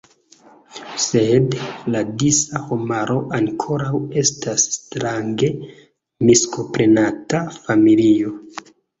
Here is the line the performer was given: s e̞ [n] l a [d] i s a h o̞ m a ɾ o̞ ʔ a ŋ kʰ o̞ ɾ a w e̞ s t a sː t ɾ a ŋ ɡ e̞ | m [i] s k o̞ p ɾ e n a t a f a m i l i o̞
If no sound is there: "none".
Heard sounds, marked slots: d, d, i

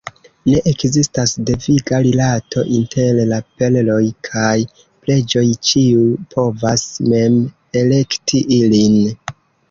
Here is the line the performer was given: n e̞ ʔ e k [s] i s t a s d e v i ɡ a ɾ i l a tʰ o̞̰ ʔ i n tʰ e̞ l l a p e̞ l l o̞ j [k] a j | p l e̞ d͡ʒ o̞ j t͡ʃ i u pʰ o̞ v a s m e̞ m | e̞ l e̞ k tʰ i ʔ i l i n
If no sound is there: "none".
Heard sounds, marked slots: z, kʰ

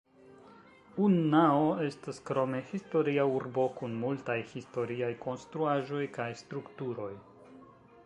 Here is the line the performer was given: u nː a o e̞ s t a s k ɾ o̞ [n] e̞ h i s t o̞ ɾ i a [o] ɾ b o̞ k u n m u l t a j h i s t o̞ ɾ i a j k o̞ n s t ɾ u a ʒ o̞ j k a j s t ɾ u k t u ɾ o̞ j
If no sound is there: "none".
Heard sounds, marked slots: m, u

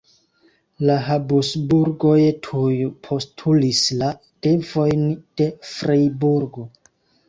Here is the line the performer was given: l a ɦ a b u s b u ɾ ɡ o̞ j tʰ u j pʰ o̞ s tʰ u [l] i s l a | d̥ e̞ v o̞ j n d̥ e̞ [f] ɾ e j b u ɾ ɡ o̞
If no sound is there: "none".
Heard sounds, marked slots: l, f

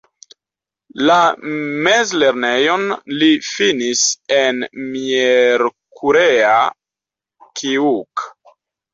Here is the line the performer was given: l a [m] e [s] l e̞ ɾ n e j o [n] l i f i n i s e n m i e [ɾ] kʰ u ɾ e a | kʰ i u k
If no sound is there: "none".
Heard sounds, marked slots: m, z, n, ɾ

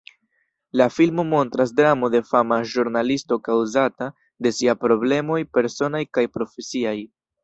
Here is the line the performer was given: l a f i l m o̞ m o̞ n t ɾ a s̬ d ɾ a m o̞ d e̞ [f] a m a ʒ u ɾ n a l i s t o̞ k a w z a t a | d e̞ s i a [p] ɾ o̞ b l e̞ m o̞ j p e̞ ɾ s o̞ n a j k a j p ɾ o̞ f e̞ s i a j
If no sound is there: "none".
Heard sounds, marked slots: f, p

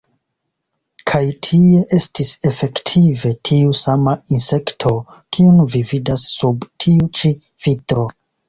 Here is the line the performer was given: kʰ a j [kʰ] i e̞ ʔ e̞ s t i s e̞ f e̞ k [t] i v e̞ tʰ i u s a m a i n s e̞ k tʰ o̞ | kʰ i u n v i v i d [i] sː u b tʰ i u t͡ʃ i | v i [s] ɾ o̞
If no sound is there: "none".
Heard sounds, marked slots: tʰ, tʰ, a, t

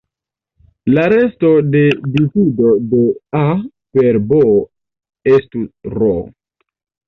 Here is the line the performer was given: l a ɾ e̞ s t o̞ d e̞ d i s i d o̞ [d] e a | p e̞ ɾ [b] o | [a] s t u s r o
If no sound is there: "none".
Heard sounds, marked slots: d, b, e

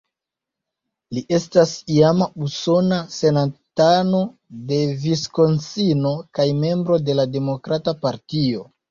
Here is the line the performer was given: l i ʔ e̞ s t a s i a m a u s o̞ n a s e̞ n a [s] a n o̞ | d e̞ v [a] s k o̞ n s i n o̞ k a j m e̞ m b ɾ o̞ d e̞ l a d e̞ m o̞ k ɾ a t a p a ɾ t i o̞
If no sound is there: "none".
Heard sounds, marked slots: t, i

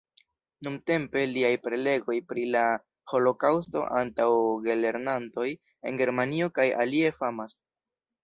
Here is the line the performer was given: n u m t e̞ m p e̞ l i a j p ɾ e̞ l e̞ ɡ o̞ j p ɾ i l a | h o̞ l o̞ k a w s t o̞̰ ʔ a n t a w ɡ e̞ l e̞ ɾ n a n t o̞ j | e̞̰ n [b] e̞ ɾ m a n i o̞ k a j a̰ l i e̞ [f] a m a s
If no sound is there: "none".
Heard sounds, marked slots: ɡ, f

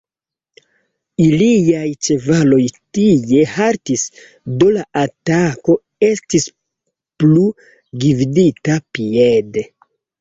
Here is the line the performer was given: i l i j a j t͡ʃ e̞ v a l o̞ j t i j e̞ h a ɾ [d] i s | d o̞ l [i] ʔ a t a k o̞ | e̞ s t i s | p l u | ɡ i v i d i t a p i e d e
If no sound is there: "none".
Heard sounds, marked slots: t, a

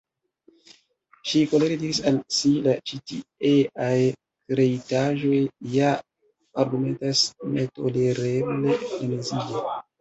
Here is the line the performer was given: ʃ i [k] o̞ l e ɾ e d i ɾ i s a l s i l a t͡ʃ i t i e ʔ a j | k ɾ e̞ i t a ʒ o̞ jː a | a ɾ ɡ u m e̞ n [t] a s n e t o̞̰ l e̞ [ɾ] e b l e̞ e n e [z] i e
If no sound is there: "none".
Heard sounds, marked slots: k, t, ɾ, z

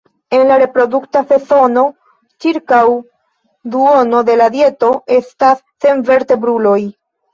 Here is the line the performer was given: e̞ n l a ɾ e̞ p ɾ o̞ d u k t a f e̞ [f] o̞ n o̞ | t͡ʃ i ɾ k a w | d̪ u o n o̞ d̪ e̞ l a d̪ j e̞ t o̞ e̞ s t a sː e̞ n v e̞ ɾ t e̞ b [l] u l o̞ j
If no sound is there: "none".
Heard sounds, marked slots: s, ɾ

